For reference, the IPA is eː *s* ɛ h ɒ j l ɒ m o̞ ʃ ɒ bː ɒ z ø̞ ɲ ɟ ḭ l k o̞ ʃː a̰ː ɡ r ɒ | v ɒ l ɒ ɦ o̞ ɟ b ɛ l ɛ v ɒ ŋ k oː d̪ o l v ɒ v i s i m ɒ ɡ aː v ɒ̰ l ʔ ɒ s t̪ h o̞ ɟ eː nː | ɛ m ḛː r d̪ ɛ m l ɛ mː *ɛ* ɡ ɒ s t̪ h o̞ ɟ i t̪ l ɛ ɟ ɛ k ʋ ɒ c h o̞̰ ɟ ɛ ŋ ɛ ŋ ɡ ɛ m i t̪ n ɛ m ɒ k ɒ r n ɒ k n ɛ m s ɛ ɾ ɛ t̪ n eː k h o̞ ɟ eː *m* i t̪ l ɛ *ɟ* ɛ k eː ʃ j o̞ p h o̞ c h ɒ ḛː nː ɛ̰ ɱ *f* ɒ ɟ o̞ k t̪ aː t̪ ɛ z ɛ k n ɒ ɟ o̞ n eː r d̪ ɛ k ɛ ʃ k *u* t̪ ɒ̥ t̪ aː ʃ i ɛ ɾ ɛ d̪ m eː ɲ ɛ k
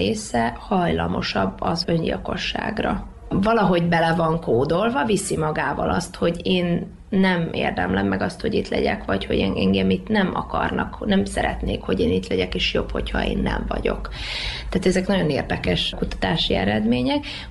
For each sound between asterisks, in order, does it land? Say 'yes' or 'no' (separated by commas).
yes, yes, no, yes, no, yes